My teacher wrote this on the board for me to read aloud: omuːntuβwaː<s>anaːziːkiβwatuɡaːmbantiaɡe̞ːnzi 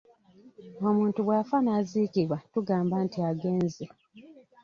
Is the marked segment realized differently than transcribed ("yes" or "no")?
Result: yes